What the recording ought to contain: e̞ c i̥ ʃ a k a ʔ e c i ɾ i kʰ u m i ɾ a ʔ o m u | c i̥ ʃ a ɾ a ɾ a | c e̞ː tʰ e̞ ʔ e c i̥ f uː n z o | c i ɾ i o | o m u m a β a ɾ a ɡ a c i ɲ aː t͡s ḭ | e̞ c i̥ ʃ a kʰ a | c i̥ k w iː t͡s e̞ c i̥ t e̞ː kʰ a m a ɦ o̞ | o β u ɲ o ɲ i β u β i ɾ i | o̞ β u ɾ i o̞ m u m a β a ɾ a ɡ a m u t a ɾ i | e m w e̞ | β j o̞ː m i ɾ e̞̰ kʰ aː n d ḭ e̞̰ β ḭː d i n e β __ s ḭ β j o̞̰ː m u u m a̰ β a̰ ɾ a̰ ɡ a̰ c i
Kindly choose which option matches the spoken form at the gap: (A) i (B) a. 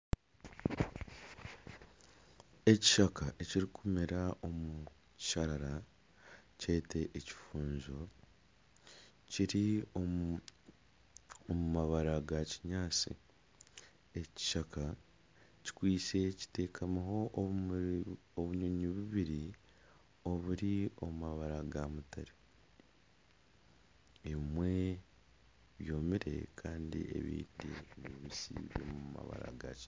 A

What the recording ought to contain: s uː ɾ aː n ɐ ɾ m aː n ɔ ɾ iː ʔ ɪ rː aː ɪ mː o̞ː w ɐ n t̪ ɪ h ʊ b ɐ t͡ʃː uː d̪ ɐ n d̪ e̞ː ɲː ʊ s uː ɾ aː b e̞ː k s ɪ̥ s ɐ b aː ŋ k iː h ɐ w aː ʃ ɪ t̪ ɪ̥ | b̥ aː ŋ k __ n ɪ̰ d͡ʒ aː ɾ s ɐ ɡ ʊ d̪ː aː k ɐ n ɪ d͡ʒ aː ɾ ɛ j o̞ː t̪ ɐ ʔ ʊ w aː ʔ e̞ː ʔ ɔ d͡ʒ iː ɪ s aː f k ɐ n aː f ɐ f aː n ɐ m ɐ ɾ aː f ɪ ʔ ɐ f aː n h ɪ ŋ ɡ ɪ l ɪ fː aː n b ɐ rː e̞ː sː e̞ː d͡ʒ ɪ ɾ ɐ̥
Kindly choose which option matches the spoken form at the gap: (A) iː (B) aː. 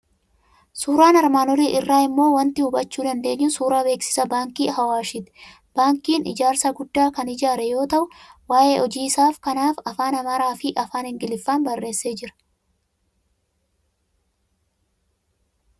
A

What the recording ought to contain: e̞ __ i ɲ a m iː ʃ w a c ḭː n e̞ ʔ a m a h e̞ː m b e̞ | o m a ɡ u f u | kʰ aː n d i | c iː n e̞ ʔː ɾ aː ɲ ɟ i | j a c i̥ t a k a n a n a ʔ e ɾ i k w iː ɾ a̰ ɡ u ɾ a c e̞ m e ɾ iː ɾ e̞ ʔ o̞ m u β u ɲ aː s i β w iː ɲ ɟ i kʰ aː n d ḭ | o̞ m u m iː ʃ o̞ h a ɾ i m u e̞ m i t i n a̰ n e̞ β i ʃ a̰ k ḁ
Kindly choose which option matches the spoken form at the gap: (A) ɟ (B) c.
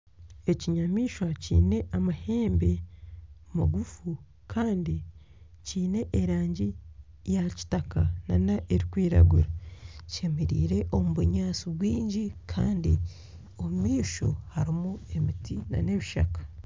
B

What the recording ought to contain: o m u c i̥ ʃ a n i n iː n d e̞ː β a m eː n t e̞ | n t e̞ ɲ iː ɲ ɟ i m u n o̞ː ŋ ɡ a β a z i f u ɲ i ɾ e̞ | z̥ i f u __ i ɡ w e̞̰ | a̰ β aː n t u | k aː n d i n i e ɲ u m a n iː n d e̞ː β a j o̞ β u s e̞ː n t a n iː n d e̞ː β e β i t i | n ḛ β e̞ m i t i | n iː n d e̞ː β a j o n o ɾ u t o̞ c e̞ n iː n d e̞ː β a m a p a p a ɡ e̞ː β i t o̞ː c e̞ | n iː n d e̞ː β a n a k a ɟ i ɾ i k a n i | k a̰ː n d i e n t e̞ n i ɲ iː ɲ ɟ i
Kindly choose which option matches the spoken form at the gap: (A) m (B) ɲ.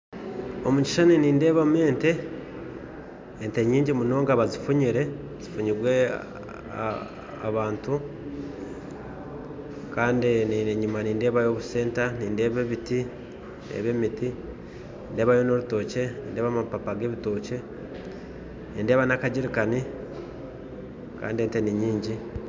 B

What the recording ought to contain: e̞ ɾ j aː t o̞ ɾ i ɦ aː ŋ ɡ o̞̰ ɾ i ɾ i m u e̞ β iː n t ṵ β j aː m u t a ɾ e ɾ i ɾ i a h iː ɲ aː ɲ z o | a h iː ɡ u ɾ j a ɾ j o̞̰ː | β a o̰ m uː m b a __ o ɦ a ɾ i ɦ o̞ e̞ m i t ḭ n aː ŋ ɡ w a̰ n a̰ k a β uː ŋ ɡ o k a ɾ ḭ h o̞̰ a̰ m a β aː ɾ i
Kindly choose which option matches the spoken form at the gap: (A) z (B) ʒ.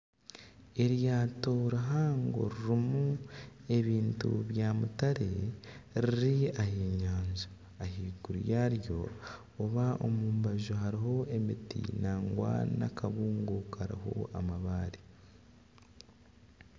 B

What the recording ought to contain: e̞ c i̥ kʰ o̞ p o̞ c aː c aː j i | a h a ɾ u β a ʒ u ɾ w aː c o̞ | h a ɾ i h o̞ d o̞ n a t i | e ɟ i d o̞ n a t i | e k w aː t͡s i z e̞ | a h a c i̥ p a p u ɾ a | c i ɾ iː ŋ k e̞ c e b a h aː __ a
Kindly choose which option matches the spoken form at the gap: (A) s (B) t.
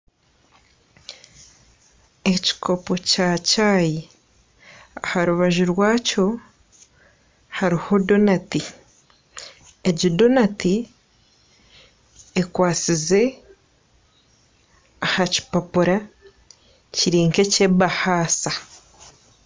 A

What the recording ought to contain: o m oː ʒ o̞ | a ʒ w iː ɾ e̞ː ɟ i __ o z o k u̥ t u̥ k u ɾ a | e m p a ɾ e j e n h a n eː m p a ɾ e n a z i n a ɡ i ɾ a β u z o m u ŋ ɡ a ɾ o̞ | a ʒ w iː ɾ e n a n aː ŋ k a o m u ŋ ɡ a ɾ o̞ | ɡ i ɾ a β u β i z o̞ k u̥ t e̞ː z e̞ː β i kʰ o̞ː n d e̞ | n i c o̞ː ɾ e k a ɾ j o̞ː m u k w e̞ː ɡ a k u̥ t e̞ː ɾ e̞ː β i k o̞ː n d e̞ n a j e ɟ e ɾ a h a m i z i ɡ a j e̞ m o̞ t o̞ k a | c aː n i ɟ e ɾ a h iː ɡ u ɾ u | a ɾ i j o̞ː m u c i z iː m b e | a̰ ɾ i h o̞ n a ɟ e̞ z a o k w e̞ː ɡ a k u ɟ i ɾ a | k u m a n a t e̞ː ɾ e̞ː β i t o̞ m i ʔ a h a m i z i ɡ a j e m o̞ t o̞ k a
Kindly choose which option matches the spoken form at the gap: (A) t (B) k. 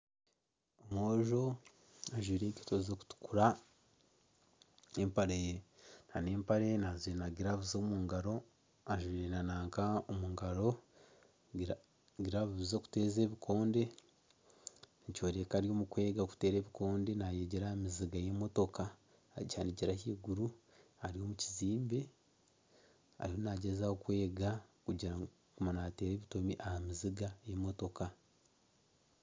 A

